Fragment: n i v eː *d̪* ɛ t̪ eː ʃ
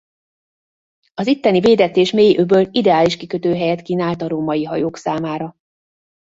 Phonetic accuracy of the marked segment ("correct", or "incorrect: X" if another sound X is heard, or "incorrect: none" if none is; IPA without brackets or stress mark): correct